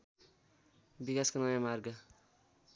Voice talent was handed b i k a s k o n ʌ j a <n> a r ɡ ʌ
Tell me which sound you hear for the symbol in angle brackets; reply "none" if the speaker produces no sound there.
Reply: m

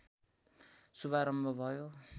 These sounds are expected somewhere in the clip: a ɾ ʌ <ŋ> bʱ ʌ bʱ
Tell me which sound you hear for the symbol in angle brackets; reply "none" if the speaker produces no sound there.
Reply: m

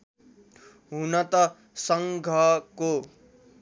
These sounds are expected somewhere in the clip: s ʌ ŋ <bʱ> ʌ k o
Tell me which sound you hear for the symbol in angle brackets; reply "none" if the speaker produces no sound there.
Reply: ɡʱ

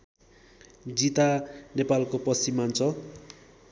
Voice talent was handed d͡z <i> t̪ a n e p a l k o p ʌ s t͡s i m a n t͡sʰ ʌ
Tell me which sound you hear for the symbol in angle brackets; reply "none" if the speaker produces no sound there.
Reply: i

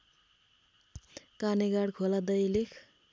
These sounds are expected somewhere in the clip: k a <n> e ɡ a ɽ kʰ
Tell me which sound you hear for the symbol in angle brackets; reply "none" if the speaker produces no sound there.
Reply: n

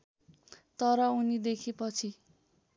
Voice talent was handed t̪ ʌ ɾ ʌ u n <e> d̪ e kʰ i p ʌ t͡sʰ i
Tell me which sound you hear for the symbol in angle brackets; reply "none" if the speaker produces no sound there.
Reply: i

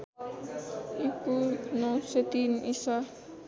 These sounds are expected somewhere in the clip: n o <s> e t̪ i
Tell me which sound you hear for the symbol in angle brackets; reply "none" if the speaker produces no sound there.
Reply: s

